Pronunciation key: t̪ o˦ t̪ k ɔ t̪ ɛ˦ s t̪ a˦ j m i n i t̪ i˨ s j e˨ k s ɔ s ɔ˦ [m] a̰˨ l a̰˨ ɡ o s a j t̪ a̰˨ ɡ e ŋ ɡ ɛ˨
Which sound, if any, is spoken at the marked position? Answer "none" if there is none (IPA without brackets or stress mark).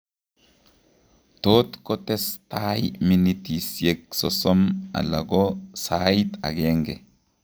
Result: m